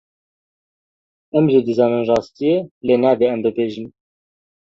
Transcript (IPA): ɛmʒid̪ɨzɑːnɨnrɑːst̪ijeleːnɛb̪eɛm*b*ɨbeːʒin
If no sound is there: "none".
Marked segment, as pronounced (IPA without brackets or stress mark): b